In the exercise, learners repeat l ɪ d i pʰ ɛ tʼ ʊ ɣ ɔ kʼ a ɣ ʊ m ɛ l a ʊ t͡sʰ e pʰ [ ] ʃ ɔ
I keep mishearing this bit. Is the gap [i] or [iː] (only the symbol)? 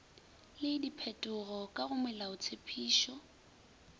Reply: iː